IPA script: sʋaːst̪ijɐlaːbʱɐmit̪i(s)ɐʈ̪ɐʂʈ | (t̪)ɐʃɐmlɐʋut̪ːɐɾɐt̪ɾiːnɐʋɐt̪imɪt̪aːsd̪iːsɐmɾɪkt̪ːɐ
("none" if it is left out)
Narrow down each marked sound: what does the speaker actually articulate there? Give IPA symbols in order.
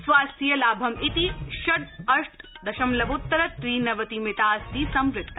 ʃ, d̪

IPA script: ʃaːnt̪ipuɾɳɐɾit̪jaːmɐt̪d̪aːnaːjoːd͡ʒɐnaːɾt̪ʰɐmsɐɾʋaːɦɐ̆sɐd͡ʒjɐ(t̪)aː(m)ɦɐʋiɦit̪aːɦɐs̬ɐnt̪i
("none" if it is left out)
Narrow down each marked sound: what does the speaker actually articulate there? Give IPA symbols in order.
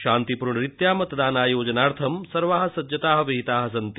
t̪, none

